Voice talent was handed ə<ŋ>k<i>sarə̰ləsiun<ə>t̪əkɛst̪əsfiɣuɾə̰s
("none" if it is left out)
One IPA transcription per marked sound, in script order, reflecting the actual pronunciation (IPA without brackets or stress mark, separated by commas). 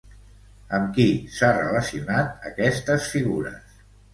m, i, a